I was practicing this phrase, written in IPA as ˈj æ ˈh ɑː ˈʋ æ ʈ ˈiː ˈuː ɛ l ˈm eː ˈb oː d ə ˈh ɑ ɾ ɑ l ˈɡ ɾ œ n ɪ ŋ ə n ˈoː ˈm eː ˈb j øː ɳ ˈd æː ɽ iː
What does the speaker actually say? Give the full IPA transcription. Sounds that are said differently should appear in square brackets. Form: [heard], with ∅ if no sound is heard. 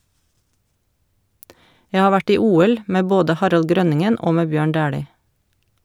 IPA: ˈj æ ˈh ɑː ˈʋ æ ʈ ˈiː ˈuː ɛ l ˈm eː ˈb oː d ə ˈh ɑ ɾ ɑ l ˈɡ ɾ œ n ɪ ŋ ə n ˈoː ˈm eː ˈb j øː ɳ ˈd æː ɽ iː